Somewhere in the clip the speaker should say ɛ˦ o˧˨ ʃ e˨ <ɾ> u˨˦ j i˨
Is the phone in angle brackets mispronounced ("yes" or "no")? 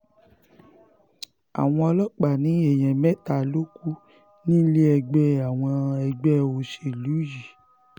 yes